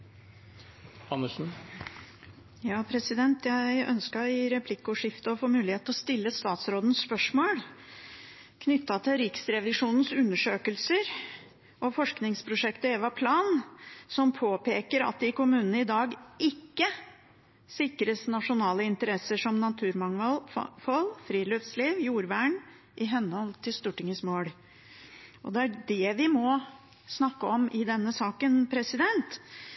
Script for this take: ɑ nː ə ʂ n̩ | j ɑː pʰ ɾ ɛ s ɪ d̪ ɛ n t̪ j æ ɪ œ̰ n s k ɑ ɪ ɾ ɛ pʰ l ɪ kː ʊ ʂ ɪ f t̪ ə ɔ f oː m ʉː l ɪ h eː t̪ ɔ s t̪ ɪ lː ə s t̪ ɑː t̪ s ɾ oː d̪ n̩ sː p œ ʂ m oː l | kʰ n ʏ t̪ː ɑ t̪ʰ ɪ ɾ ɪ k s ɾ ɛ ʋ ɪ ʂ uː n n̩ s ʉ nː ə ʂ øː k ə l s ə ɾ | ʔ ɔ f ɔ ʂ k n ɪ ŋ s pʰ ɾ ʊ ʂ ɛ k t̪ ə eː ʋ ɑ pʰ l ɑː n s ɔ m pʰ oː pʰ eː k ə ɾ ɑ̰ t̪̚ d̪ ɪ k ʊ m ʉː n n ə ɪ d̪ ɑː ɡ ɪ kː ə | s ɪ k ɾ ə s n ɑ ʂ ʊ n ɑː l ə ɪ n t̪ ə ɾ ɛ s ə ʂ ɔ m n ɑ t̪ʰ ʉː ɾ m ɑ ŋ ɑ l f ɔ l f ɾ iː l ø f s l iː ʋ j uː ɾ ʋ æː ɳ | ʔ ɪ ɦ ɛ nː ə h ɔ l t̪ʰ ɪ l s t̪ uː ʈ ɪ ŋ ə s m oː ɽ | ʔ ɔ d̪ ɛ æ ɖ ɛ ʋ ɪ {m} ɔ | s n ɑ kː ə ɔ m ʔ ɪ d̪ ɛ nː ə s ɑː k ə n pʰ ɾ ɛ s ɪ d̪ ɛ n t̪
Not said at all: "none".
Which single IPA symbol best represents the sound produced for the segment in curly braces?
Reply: m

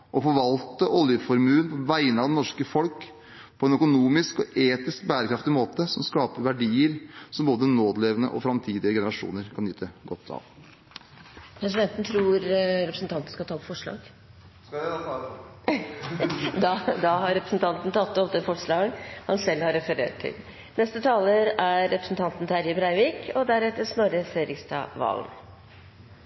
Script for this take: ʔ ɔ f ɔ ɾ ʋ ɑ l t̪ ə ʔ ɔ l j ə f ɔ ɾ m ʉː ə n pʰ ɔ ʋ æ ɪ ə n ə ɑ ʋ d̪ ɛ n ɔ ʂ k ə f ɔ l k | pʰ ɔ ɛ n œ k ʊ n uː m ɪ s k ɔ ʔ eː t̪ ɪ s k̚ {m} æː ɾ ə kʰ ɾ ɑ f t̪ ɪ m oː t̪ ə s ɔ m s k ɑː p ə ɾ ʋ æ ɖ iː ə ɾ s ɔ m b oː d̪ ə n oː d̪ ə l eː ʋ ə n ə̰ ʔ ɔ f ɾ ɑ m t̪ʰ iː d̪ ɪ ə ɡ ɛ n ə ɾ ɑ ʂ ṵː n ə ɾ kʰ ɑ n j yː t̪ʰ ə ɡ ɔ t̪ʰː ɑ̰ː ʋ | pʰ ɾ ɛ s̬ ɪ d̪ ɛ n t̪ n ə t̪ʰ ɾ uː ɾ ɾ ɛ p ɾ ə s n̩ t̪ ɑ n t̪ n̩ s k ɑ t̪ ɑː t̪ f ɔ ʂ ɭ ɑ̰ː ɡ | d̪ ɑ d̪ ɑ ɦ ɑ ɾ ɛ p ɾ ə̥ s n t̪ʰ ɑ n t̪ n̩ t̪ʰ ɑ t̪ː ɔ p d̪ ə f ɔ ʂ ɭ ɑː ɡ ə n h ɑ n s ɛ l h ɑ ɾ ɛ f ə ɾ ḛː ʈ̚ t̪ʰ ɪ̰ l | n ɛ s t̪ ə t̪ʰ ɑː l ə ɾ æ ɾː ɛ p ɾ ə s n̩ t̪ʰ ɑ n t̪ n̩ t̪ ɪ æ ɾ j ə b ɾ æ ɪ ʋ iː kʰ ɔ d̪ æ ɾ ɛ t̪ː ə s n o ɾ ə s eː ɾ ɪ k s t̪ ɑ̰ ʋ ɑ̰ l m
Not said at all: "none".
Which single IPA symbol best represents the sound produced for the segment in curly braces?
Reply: b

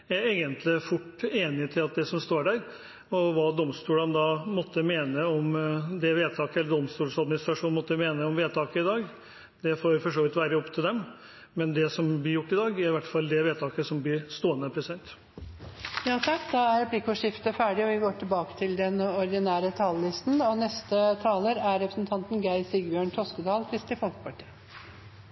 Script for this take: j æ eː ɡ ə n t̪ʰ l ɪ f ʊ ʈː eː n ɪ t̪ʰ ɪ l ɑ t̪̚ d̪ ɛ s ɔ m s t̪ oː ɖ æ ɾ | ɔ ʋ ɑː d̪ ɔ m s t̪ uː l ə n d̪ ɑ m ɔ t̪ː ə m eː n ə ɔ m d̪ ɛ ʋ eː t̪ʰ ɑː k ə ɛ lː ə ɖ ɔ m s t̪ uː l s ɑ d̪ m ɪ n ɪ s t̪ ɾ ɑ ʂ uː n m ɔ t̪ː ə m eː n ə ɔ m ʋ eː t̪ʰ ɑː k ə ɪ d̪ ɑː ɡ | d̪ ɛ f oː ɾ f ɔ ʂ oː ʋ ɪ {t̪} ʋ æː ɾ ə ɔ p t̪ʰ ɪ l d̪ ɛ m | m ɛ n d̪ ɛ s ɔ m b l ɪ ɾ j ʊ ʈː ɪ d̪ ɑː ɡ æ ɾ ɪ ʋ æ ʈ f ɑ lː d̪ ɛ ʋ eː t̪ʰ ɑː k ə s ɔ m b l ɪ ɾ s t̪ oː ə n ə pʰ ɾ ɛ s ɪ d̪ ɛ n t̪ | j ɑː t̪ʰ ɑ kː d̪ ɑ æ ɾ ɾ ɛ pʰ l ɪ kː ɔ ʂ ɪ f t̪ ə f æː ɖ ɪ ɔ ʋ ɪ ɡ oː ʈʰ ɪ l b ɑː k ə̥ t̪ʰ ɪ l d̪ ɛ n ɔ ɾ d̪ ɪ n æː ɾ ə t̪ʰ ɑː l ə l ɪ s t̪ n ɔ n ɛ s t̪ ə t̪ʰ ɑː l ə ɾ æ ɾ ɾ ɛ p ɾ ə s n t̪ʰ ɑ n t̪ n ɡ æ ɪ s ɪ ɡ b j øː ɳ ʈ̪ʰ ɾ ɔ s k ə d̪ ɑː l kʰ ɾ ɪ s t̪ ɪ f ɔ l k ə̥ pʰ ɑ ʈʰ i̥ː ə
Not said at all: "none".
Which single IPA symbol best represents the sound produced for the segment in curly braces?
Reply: t̪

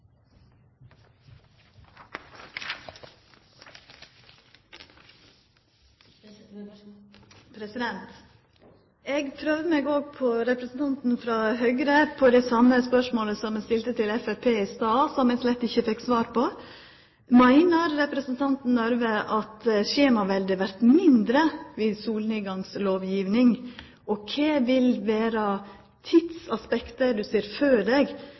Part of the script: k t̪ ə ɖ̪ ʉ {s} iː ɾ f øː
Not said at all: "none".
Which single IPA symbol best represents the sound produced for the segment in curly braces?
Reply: s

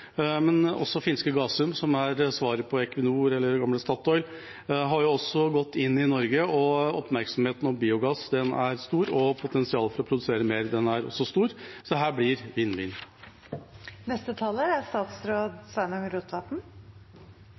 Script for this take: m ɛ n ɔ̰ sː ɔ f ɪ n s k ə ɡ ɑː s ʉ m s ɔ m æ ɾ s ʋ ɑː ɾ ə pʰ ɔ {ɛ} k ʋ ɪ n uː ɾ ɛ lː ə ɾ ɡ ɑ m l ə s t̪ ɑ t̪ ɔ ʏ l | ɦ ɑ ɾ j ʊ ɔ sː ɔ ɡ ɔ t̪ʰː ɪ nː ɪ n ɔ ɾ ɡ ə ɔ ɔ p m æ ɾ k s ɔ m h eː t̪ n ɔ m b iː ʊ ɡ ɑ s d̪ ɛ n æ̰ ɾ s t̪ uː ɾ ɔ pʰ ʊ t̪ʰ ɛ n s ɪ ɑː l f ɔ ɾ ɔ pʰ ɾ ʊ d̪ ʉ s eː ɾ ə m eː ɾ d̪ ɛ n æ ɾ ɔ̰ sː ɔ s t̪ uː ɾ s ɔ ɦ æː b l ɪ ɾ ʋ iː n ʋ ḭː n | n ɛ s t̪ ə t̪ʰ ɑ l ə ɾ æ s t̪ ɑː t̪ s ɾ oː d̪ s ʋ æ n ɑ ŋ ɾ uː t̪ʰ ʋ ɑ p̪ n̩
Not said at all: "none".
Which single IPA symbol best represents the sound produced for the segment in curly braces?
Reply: ɛ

